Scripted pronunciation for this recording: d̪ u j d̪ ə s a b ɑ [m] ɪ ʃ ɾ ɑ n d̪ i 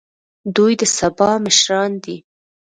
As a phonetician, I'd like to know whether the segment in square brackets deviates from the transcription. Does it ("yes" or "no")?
no